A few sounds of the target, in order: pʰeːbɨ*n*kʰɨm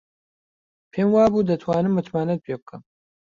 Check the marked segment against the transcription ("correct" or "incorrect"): incorrect